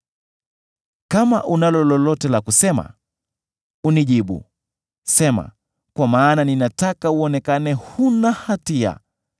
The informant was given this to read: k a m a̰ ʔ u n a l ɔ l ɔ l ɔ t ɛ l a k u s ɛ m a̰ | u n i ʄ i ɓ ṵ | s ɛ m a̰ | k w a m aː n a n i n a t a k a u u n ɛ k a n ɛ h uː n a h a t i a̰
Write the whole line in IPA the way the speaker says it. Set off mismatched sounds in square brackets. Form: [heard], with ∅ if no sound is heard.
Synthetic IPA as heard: k a m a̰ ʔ u n a l ɔ l ɔ l ɔ t ɛ l a k u s ɛ m a̰ | u n i ʄ i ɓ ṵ | s ɛ m a̰ | k w a m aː n a n i n a t a k a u [ɔ] n ɛ k a n ɛ h [u] n a h a t i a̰